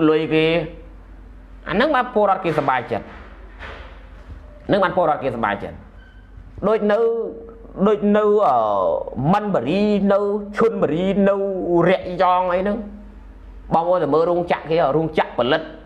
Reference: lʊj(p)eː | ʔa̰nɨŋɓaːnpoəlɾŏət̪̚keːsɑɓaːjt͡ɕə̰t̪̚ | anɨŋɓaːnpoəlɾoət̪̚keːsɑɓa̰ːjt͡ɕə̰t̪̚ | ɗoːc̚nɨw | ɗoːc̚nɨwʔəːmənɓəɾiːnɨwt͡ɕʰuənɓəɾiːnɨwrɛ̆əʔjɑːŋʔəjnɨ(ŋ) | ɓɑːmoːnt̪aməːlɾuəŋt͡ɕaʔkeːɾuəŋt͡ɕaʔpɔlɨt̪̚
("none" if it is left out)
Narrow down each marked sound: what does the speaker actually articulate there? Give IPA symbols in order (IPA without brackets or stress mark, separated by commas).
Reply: k, ŋ